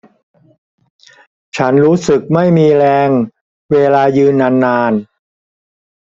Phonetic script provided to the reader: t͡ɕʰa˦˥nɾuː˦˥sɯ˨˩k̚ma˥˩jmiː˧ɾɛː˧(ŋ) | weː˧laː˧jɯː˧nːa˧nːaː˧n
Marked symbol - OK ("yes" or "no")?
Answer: yes